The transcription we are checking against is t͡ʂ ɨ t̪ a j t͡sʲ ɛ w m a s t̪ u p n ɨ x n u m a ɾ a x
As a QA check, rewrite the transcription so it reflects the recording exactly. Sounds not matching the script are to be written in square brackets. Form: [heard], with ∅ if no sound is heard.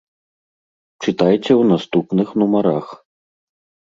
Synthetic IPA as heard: t͡ʂ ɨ t̪ a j t͡sʲ ɛ w [n] a s t̪ u p n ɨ x n u m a ɾ a x